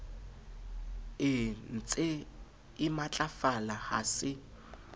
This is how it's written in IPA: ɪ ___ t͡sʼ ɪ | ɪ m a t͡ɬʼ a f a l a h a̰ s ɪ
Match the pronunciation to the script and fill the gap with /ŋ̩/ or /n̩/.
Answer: n̩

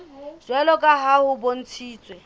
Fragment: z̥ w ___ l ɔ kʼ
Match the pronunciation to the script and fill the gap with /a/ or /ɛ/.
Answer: ɛ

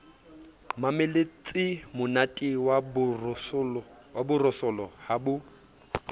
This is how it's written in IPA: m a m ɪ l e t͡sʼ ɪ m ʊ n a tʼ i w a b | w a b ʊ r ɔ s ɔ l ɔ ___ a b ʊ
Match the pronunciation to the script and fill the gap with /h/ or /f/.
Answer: h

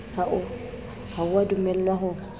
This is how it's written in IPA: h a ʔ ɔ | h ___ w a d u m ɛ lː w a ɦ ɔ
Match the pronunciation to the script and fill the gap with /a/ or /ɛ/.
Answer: a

